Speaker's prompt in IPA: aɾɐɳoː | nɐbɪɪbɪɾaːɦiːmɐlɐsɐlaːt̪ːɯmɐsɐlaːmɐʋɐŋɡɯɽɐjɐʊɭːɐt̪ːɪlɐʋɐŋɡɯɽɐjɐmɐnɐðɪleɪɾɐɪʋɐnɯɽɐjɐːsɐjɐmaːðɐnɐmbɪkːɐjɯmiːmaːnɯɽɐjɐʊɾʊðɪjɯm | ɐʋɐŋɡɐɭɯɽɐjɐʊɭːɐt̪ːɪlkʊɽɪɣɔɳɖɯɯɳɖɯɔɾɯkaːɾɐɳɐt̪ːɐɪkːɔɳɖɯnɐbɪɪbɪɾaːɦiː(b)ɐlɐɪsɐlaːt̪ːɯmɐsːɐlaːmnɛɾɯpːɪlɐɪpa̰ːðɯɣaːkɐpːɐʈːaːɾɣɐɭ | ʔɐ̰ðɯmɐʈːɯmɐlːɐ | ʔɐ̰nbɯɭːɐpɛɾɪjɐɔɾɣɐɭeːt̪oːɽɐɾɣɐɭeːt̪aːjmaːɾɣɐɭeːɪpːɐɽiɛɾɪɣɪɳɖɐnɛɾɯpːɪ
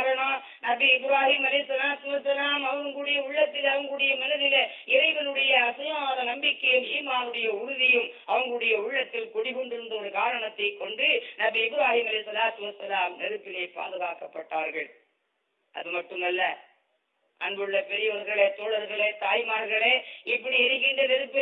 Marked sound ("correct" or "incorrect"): incorrect